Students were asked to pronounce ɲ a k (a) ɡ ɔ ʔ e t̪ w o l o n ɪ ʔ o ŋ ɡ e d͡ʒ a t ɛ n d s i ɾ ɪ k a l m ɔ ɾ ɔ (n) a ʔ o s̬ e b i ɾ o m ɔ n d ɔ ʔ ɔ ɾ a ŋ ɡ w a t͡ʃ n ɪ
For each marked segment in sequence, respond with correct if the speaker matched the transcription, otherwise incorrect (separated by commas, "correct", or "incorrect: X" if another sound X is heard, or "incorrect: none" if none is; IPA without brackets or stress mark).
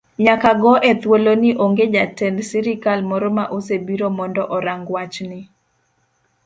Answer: correct, incorrect: m